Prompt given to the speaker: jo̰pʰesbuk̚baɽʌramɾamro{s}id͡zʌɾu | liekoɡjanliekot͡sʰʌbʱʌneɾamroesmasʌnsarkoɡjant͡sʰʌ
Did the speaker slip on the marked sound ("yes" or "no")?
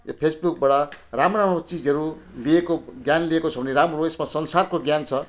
yes